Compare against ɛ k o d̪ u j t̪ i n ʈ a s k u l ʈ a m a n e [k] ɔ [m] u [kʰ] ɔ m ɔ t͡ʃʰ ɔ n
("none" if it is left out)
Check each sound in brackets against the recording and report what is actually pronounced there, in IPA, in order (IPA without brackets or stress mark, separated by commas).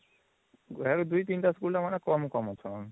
k, m, k